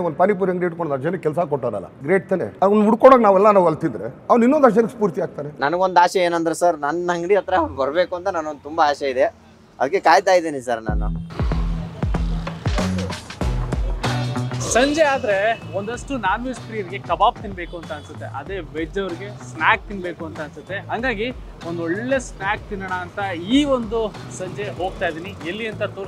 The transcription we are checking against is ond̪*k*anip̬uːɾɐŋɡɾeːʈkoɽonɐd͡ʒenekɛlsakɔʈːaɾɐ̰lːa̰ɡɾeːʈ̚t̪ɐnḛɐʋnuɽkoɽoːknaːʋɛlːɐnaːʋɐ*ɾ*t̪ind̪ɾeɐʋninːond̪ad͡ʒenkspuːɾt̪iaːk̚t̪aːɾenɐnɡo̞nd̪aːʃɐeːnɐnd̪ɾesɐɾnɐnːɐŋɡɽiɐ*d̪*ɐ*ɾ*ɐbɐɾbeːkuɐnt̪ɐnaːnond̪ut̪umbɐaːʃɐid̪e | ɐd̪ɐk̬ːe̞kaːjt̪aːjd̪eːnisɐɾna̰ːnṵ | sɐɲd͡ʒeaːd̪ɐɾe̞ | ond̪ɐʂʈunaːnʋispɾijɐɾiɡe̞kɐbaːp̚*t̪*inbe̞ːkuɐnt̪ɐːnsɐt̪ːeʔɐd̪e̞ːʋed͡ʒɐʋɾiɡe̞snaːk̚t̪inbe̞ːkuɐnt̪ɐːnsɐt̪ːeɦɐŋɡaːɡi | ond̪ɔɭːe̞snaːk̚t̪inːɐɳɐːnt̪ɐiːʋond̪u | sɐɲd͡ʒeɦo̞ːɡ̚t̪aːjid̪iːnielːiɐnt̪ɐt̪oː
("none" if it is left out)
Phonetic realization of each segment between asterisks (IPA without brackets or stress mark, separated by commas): p, l, t̪, ɾ, t̪